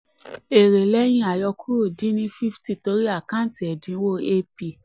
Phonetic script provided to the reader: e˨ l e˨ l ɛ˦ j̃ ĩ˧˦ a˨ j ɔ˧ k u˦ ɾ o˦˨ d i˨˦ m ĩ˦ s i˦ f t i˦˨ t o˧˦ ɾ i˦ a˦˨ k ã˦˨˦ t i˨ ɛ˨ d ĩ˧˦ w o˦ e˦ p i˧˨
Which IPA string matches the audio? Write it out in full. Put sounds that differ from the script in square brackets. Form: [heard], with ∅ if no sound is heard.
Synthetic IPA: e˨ [ɾ] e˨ l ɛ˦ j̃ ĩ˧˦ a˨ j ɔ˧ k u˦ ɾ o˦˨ d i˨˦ [n] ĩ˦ [f] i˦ f t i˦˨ t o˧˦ ɾ i˦ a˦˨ k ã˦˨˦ t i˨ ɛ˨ d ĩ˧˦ w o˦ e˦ p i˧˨